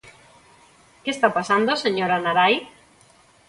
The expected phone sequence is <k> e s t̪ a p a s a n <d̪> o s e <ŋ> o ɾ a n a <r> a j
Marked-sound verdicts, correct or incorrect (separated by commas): correct, correct, incorrect, incorrect